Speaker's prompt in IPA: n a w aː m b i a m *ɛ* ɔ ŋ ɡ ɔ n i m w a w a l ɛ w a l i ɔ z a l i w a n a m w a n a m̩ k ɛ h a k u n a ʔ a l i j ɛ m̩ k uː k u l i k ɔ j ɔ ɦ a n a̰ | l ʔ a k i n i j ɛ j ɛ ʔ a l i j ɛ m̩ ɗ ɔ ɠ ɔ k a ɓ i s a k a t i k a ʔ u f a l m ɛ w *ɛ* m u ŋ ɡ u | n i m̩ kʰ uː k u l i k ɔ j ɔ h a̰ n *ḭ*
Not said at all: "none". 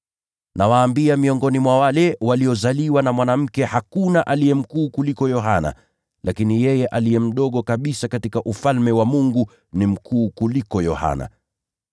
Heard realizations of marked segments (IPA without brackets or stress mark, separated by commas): i, a, a̰